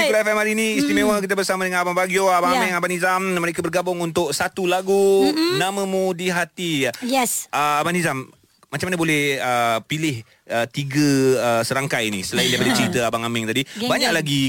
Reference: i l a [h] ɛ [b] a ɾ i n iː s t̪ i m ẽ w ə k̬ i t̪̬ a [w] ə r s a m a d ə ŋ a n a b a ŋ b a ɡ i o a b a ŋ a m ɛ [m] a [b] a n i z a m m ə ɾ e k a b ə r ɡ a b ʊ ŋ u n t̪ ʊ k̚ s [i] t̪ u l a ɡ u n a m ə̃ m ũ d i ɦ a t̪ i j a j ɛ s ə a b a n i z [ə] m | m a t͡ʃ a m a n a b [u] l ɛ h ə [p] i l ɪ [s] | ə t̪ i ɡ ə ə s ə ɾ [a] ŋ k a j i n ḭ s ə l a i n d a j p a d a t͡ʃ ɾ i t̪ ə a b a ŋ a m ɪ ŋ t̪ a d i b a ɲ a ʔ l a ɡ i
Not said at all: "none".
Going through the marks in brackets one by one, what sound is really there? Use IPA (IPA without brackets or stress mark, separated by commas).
f, m, b, ŋ, b, a, a, o, p, h, a